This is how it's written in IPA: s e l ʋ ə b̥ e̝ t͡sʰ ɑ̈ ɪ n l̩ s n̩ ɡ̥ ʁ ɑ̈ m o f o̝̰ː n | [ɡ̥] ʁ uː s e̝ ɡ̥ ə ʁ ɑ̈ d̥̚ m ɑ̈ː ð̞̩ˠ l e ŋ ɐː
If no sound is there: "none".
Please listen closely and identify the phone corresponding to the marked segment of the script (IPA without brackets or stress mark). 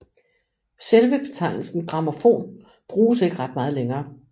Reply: b̥